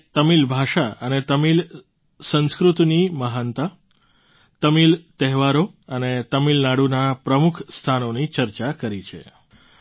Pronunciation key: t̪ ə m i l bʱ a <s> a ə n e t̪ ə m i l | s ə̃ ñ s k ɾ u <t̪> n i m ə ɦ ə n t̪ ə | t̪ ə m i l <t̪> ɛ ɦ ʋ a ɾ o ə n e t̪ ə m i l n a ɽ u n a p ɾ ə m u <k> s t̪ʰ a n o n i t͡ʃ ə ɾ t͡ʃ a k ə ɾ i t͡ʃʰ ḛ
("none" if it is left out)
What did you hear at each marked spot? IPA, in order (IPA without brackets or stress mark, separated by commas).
ʃ, t̪, t̪, kʰ